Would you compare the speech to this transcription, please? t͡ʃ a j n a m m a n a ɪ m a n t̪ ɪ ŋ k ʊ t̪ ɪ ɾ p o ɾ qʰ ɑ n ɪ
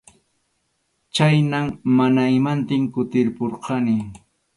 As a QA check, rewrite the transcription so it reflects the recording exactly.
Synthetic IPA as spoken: t͡ʃ a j n a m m a n a ɪ m a n t̪ ɪ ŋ k ʊ t̪ ɪ ɾ p o ɾ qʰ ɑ n ɪ